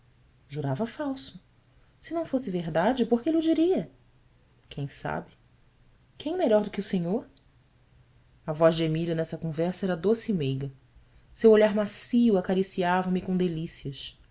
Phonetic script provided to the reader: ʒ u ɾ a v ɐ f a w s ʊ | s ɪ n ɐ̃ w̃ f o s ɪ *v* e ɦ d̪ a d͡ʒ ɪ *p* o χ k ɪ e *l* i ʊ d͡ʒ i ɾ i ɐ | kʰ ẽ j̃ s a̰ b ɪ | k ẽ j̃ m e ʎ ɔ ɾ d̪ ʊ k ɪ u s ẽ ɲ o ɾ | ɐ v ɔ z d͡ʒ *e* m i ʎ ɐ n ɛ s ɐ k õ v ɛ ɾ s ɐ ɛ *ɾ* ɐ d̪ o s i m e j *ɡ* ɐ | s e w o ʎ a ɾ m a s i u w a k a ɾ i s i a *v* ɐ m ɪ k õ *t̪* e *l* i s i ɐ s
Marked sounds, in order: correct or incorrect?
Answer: correct, correct, correct, correct, correct, correct, correct, incorrect, correct

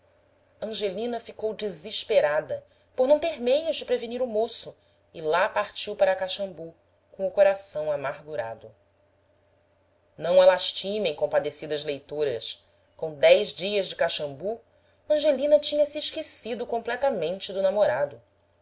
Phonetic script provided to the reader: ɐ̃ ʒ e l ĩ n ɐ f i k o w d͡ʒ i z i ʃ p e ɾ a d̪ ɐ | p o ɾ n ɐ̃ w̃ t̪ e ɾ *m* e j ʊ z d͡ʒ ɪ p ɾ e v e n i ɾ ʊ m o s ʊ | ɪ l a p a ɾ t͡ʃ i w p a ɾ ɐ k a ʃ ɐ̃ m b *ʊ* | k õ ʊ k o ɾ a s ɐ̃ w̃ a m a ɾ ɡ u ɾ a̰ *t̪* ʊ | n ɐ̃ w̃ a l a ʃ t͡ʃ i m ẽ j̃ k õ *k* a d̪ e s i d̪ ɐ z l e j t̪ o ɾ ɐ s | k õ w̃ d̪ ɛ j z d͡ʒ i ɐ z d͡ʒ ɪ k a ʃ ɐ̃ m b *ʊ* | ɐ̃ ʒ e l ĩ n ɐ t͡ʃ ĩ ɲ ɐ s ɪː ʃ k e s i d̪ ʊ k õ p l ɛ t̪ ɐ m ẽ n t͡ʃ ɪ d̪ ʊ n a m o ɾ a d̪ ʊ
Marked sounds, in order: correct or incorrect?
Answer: correct, incorrect, incorrect, incorrect, incorrect

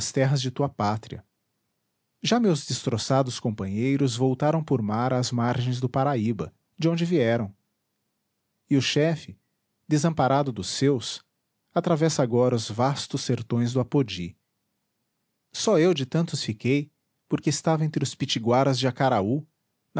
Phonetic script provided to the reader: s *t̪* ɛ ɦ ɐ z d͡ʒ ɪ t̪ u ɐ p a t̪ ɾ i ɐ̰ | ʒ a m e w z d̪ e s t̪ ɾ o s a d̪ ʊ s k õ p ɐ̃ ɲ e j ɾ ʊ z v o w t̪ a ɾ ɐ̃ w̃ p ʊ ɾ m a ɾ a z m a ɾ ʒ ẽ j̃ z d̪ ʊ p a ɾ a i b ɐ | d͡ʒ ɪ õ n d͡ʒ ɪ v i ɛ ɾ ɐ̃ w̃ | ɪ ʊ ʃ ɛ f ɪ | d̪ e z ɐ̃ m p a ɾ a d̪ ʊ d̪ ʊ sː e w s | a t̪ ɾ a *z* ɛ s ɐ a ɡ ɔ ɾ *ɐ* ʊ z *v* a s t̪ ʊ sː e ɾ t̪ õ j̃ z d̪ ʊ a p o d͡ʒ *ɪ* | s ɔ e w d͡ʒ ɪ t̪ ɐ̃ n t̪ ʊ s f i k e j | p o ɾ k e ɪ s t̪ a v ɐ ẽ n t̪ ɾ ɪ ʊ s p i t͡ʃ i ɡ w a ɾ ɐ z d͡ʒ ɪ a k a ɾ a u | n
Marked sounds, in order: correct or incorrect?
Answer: correct, incorrect, correct, correct, incorrect

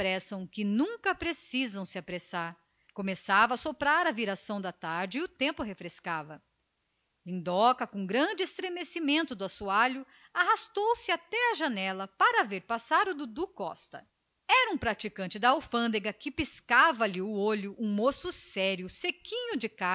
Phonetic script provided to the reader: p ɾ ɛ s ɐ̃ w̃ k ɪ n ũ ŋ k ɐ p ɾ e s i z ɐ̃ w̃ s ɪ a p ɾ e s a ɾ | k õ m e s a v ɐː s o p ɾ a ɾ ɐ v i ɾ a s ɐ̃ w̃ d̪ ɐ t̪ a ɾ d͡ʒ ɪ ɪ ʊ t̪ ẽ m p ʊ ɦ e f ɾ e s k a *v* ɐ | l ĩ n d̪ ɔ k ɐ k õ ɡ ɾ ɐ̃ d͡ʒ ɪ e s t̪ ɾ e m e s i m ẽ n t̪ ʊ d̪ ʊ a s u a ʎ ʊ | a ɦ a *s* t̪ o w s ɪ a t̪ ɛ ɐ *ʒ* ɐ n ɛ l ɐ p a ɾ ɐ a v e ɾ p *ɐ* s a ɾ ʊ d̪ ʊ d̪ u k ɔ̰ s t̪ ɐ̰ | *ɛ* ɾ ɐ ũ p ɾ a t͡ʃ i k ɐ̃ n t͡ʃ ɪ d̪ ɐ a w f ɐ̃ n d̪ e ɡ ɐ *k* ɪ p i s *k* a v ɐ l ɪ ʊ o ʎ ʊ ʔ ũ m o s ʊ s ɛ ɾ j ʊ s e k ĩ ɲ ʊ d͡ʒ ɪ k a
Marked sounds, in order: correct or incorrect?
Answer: correct, correct, correct, incorrect, correct, correct, correct

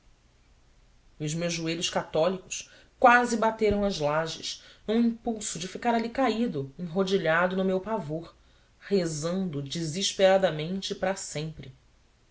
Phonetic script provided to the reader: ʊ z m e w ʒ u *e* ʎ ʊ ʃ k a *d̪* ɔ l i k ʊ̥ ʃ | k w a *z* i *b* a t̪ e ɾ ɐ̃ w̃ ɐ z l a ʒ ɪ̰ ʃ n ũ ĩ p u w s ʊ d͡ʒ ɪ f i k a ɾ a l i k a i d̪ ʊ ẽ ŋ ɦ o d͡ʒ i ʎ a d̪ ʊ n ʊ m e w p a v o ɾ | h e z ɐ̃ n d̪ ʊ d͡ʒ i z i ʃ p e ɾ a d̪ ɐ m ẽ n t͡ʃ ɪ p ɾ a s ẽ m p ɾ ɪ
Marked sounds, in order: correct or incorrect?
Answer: correct, incorrect, correct, correct

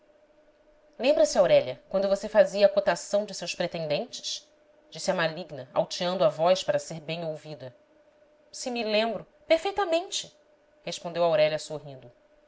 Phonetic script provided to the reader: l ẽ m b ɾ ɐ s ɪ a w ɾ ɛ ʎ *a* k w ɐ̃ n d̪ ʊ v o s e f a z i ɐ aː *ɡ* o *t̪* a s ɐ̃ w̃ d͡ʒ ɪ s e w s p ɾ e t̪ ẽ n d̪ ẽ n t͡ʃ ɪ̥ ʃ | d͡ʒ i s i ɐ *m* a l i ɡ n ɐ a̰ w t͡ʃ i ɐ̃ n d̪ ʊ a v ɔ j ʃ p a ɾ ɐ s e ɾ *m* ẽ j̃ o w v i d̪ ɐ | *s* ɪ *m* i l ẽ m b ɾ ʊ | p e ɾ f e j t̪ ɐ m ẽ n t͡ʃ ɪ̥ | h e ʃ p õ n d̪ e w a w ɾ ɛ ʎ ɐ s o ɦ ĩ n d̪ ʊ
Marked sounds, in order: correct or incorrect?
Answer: incorrect, incorrect, correct, correct, incorrect, correct, correct

